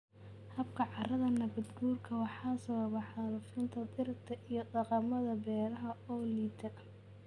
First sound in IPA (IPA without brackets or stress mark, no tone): h